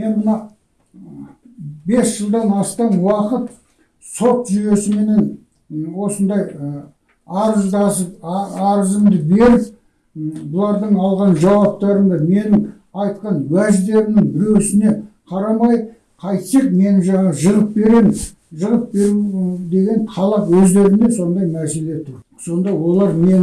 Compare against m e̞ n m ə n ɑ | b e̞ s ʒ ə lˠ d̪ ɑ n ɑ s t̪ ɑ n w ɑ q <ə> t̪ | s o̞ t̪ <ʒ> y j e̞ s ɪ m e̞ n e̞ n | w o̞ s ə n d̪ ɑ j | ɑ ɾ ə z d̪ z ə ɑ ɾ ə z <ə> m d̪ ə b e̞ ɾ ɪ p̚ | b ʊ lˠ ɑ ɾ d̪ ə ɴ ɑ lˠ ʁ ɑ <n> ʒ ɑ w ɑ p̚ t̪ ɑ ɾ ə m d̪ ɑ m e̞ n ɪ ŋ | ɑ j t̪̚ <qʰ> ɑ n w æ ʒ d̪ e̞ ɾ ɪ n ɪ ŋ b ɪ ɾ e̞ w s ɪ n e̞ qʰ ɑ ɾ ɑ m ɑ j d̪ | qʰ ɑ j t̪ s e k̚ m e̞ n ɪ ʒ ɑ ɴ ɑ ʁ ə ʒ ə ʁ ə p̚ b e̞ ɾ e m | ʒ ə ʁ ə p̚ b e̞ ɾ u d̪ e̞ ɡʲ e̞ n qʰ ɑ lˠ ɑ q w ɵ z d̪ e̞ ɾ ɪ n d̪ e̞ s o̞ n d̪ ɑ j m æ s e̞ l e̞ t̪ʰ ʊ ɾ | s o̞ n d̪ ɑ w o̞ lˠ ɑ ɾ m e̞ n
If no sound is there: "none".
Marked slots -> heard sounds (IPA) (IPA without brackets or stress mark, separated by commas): ə, ʒ, ə, n, q